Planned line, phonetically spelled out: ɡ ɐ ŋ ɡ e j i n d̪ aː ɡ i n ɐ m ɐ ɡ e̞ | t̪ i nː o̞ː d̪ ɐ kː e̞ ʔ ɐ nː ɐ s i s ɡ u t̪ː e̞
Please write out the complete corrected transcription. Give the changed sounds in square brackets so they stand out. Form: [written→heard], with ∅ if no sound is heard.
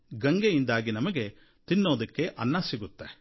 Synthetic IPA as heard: ɡ ɐ ŋ ɡ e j i n d̪ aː ɡ i n ɐ m ɐ ɡ e̞ | t̪ i nː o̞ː d̪ ɐ kː e̞ ʔ ɐ nː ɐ s i [s→∅] ɡ u t̪ː e̞